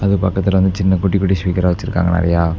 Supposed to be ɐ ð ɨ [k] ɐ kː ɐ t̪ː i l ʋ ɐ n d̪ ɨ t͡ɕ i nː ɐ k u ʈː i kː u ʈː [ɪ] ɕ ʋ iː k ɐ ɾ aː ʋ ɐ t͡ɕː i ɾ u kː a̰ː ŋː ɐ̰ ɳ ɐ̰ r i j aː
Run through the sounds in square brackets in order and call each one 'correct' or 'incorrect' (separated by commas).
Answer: incorrect, incorrect